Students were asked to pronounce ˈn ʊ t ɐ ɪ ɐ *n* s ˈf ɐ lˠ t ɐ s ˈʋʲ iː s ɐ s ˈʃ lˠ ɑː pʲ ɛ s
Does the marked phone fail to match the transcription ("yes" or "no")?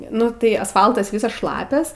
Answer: yes